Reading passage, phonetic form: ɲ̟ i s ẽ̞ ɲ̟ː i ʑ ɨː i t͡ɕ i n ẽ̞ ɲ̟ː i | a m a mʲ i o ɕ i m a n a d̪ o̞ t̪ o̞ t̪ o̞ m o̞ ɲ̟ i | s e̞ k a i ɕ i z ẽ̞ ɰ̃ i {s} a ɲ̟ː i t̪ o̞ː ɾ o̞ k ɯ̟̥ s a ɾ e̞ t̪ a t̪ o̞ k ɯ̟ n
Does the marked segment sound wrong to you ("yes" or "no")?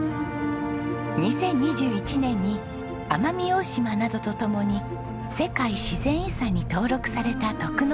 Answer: no